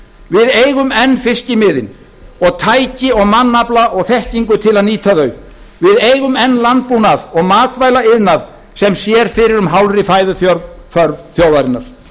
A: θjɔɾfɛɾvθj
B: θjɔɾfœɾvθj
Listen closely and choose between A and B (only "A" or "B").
B